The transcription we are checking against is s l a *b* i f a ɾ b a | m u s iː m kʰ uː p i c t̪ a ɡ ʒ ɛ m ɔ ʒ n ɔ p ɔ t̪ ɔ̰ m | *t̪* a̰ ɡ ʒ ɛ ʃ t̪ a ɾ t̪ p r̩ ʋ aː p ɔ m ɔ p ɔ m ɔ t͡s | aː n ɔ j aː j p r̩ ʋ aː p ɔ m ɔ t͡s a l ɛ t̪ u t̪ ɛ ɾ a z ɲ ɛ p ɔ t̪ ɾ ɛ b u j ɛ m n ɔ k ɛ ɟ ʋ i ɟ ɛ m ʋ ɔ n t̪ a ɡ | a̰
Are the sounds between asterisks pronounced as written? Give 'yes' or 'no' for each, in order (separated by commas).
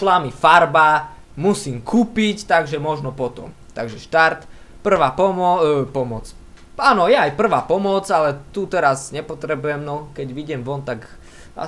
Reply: no, yes